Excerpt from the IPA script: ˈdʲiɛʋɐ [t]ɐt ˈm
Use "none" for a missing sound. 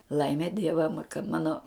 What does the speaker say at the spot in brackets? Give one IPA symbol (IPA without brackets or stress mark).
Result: k